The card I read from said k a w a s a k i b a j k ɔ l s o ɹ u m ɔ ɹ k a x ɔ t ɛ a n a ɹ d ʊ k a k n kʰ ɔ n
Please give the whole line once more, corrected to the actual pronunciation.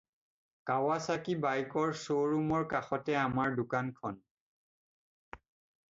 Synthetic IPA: k a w a s a k i b a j k ɔ ɹ s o ɹ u m ɔ ɹ k a x ɔ t ɛ a m a ɹ d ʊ k a n kʰ ɔ n